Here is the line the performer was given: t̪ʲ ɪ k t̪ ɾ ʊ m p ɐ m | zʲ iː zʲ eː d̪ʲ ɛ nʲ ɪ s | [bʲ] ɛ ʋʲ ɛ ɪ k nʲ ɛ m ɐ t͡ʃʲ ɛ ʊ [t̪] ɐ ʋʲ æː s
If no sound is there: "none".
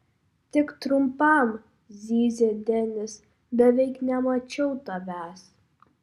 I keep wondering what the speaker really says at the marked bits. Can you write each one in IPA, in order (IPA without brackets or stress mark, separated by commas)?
bʲ, t̪